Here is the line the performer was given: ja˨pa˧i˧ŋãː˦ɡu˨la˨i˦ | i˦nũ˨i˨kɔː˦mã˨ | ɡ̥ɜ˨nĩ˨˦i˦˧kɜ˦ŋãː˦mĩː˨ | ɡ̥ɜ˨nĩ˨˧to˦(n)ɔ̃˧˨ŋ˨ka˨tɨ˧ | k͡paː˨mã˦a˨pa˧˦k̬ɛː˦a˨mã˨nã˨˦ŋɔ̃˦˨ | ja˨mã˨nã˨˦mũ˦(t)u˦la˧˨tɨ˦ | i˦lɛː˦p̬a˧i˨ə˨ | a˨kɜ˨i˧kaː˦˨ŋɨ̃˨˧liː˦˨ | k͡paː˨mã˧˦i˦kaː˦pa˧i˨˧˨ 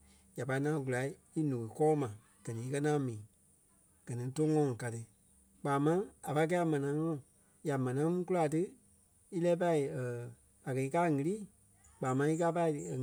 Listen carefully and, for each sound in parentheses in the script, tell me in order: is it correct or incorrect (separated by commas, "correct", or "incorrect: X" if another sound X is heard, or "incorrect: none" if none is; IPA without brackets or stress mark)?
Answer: incorrect: ŋ, incorrect: k